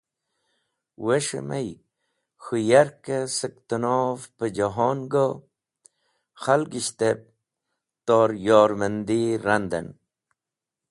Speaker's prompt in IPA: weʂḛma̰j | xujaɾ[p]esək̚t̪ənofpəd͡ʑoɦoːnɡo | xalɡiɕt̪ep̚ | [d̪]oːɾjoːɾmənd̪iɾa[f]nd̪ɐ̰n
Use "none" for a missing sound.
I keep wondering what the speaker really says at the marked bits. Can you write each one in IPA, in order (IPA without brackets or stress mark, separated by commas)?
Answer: k, t̪, none